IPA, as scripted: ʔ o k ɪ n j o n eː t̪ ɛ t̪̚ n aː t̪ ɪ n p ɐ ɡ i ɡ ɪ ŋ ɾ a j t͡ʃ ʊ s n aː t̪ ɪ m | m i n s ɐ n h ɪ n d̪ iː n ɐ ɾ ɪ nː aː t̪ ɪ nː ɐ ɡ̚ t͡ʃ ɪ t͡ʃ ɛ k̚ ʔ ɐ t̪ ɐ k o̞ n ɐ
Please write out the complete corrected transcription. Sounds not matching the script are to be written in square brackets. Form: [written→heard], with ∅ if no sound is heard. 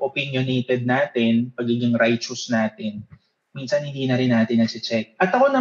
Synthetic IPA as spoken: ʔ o [k→p] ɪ n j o n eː t̪ ɛ [t̪̚→d̪̚] n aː t̪ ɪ n p ɐ ɡ i ɡ ɪ ŋ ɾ a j t͡ʃ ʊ s n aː t̪ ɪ [m→n] | m i n s ɐ n h ɪ n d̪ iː n ɐ ɾ ɪ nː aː t̪ ɪ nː ɐ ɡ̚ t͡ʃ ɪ t͡ʃ ɛ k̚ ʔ ɐ t̪ ɐ k o̞ n ɐ